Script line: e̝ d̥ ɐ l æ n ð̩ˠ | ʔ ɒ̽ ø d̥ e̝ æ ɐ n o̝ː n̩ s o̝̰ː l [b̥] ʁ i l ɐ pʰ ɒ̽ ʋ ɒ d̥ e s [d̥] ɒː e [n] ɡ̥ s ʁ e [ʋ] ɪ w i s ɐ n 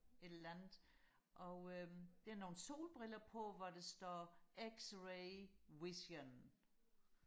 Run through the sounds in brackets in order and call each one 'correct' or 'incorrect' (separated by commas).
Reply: correct, correct, incorrect, incorrect